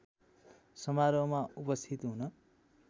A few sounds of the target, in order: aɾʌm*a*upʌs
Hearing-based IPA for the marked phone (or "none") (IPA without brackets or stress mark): a